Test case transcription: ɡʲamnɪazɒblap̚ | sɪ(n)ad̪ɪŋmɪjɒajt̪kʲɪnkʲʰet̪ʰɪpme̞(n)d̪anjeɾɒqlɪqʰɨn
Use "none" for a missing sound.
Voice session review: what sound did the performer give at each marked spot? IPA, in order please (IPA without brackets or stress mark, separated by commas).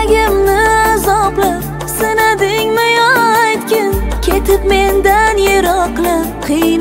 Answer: n, n